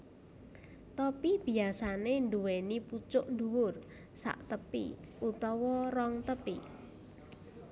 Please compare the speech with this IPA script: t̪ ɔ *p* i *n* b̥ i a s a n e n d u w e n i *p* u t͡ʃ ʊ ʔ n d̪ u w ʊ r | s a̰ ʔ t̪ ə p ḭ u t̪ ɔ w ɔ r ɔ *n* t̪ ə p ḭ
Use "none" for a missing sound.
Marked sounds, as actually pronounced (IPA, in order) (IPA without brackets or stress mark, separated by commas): p, none, p, ŋ